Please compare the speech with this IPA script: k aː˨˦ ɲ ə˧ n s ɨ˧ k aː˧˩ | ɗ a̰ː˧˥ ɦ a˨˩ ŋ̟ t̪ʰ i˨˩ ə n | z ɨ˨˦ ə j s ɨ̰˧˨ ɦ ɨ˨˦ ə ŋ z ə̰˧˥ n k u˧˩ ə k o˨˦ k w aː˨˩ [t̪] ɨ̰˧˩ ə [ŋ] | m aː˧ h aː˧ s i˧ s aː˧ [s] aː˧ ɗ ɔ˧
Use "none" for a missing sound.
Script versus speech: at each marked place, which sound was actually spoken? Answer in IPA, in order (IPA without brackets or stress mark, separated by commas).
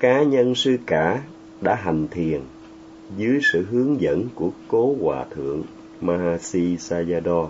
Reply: t̪ʰ, ŋ, z